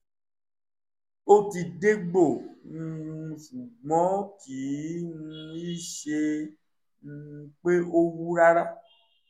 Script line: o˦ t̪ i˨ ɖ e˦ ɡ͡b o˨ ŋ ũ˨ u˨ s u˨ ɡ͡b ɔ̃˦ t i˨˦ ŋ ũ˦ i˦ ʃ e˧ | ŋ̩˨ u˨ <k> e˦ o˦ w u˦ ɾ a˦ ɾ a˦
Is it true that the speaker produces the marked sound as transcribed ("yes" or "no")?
no